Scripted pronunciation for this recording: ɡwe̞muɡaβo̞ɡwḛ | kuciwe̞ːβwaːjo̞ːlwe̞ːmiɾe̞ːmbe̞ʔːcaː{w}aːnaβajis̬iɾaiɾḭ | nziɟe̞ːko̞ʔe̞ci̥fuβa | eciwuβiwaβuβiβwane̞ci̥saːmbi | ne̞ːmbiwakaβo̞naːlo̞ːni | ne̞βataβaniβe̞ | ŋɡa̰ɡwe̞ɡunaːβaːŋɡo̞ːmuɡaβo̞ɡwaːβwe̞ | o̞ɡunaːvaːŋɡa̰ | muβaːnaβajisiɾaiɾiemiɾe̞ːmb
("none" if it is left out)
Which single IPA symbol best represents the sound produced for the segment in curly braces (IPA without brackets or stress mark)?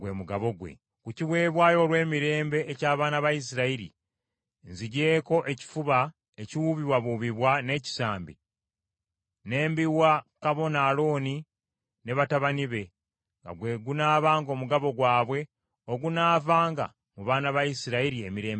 β